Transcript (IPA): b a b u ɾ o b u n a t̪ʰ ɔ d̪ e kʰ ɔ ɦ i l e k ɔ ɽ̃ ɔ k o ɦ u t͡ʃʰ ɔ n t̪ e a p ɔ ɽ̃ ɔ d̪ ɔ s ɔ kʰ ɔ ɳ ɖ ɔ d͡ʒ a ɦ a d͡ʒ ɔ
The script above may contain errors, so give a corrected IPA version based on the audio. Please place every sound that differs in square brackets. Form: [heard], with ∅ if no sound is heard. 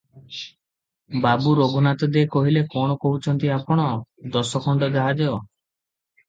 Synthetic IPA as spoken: b a b u ɾ o [ɡ] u n a [t̪] ɔ d̪ e [k] ɔ ɦ i l e k ɔ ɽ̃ ɔ k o ɦ u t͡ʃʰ ɔ n t̪ [i] a p ɔ ɽ̃ ɔ d̪ ɔ s ɔ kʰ ɔ ɳ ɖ ɔ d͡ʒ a ɦ a d͡ʒ ɔ